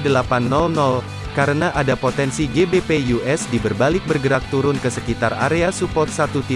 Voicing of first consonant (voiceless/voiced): voiced